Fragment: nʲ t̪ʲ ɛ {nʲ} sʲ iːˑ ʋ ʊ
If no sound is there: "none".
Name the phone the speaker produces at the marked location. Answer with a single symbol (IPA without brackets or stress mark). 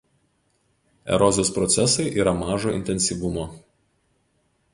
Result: nʲ